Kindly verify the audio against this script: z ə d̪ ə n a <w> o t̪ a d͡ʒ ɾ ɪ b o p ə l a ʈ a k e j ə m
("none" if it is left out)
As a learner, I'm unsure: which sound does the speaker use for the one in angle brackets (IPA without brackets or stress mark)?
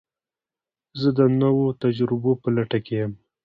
w